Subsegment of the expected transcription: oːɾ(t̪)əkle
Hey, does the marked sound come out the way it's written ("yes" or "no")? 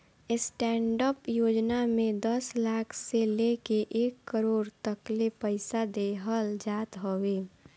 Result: yes